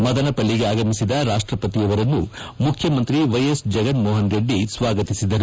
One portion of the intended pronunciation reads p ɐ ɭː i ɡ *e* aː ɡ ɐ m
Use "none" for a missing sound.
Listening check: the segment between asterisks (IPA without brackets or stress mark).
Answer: e